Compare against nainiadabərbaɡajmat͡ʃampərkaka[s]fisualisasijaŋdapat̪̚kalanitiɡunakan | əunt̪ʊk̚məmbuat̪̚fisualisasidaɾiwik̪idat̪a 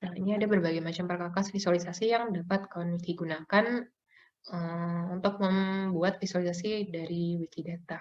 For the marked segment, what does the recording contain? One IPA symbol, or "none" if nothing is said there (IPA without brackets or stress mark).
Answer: s